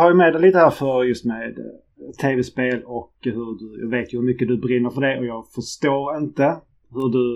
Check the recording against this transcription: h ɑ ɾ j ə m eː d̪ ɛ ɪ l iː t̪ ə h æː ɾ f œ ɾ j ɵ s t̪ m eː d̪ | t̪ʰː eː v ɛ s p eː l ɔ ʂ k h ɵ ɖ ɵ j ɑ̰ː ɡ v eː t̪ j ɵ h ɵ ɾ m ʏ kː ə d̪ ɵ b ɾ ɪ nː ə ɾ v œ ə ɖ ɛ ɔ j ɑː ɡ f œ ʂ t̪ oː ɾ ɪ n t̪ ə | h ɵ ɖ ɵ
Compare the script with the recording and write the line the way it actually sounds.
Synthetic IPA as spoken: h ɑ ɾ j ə m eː d̪ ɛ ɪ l iː t̪ ə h æː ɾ f œ ɾ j ɵ s t̪ m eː d̪ | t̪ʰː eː v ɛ s p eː l ɔ k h ɵ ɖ ɵ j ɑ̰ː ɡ v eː t̪ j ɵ h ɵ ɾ m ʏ kː ə d̪ ɵ b ɾ ɪ nː ə ɾ f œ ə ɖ ɛ ɔ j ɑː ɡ f œ ʂ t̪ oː ɾ ɪ n t̪ ə | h ɵ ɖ ɵ